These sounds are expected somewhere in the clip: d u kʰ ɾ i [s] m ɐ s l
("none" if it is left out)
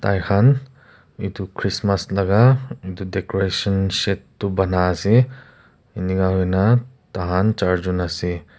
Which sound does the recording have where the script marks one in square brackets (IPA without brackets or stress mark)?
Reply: s